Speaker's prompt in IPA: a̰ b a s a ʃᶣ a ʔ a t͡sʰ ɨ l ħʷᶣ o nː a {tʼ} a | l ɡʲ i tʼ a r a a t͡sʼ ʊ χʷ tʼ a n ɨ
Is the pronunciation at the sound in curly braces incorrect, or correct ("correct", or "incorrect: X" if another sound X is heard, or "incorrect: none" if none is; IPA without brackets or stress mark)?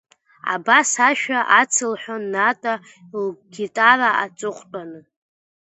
correct